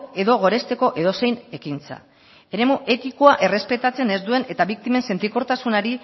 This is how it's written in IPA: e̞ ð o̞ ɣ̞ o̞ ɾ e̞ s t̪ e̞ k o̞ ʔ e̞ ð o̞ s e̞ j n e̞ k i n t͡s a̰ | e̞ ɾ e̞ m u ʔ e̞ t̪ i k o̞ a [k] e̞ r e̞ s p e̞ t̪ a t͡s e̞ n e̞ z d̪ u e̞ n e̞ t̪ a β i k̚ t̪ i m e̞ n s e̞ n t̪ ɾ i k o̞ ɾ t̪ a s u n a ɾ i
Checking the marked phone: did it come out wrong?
yes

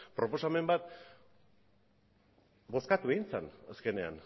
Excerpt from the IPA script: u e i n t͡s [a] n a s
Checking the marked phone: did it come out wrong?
no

